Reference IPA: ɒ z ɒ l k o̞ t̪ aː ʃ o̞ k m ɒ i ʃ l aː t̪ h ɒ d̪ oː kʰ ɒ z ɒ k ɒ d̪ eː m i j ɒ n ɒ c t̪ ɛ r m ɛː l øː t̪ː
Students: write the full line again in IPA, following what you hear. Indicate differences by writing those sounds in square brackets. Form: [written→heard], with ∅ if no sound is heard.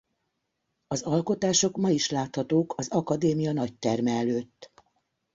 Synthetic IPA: ɒ z ɒ l k o̞ t̪ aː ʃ o̞ k m ɒ i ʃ l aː t̪ h ɒ [d̪→t̪] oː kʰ ɒ z ɒ k ɒ d̪ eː m i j ɒ n ɒ c t̪ ɛ r m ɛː l øː t̪ː